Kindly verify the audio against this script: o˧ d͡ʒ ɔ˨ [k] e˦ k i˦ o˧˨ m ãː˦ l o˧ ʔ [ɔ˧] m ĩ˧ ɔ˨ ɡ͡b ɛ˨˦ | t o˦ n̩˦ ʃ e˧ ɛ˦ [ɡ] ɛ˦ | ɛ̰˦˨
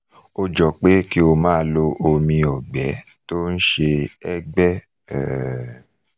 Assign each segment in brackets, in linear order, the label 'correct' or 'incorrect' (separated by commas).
incorrect, incorrect, incorrect